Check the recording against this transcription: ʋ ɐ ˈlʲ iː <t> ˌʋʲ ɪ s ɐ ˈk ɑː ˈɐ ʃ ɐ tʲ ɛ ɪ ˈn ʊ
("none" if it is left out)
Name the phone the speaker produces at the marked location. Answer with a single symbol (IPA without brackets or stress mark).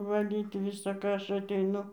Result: t